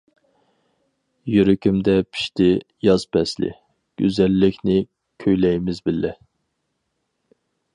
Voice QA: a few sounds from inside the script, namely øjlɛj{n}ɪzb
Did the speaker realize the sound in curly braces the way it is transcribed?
no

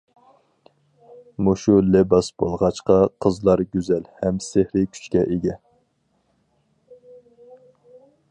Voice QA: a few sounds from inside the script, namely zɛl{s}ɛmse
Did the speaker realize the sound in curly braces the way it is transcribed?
no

